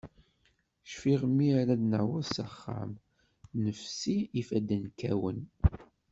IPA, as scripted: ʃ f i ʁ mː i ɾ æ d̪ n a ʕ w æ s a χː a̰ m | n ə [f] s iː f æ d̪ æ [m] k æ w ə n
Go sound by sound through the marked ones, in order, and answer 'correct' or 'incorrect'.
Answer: correct, incorrect: n

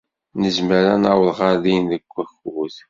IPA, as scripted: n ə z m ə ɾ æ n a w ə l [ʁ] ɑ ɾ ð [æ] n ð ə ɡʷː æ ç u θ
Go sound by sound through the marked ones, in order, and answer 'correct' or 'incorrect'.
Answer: correct, incorrect: i

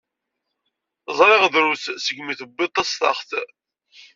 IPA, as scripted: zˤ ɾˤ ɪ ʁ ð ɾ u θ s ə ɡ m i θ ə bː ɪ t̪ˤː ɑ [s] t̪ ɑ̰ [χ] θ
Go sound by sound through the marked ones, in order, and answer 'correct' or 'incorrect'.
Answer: correct, correct

